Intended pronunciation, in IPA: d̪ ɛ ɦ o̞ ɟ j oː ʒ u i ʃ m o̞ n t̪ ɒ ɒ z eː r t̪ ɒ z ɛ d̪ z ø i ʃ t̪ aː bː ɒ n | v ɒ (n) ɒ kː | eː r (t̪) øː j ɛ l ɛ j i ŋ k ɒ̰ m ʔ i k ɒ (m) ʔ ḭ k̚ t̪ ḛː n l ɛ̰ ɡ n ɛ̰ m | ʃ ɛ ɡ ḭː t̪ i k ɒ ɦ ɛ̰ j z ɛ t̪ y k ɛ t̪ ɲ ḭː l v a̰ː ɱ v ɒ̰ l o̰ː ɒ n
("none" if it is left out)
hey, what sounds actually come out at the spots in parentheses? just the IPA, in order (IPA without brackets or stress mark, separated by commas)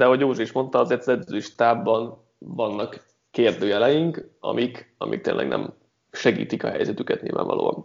nː, d̪, m